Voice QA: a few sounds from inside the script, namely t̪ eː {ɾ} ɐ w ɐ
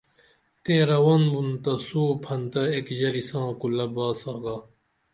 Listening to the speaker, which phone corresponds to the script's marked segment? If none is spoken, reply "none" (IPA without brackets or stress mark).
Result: ɾ